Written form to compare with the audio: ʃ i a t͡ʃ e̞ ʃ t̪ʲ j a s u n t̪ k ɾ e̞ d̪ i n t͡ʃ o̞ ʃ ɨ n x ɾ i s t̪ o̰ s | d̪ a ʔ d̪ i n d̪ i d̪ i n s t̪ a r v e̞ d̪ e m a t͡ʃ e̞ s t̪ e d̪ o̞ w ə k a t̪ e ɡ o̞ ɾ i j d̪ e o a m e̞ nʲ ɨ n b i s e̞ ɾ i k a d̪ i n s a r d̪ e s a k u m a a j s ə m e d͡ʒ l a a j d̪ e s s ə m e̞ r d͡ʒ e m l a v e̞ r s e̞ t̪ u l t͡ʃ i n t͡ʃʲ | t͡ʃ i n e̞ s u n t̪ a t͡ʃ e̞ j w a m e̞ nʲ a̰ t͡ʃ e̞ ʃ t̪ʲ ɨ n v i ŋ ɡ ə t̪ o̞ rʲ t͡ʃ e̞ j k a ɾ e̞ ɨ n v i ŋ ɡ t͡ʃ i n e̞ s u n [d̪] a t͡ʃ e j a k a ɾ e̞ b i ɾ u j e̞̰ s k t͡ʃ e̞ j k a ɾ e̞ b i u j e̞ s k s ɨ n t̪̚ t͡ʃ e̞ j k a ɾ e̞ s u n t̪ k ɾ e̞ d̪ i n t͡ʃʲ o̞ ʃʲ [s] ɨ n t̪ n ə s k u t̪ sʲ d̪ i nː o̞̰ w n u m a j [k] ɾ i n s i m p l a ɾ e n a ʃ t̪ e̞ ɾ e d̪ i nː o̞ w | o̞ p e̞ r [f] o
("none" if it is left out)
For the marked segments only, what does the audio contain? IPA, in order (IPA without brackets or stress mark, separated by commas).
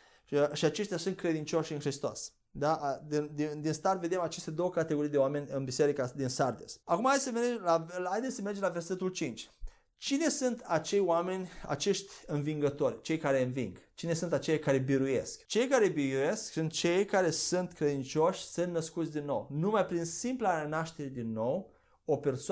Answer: t̪, s, p, s